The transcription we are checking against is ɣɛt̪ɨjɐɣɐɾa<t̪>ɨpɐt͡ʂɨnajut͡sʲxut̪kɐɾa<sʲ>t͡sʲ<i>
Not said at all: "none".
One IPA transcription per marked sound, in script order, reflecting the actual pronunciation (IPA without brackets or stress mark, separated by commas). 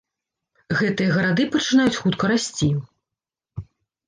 d̪, sʲ, i